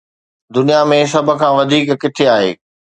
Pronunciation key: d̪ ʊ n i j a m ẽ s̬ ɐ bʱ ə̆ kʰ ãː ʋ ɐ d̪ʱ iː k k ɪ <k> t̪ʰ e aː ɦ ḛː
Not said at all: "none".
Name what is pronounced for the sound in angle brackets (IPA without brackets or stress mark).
none